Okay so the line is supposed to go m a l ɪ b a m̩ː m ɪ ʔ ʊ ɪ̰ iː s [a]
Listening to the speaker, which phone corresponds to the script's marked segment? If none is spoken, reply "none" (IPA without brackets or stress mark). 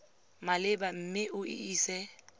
ɛ